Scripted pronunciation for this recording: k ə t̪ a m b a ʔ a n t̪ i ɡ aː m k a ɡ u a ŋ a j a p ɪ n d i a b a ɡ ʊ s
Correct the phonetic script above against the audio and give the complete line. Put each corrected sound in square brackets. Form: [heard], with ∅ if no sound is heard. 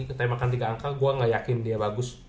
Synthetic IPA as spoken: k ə t̪ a m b a [k] a n t̪ i ɡ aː [ŋ] k a ɡ u a ŋ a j a [k] ɪ n d i a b a ɡ ʊ s